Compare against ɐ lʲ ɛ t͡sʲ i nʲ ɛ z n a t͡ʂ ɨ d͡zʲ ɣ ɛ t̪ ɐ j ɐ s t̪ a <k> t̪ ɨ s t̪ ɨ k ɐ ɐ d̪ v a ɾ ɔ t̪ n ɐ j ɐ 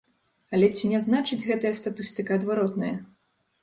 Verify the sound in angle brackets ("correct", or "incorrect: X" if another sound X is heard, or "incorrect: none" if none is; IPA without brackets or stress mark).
incorrect: none